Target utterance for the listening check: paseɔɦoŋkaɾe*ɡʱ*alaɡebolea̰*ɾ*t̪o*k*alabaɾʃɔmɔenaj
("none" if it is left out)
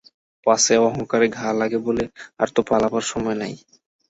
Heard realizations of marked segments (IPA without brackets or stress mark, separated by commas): ɡʱ, ɾ, p